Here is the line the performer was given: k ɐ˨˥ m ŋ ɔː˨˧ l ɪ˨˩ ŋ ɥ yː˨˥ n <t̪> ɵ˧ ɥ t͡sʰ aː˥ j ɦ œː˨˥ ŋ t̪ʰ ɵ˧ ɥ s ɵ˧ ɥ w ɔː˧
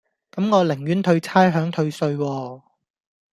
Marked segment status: incorrect: t̪ʰ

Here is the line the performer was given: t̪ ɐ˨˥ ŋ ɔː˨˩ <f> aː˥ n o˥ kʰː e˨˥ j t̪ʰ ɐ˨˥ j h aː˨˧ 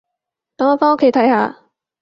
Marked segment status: correct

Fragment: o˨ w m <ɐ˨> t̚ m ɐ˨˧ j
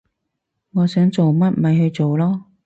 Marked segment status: incorrect: ɐ˥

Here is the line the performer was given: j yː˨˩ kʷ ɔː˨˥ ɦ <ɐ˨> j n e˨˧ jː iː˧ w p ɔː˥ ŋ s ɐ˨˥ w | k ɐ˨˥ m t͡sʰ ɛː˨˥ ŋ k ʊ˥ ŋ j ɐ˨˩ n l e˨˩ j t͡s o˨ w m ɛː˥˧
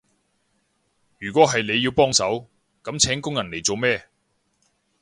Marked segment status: correct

